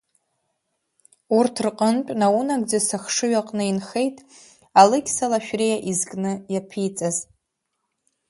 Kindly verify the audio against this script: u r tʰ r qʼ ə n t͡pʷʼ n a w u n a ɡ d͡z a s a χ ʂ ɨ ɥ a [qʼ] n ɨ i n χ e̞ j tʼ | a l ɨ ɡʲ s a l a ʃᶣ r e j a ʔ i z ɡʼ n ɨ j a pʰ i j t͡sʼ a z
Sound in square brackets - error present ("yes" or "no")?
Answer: no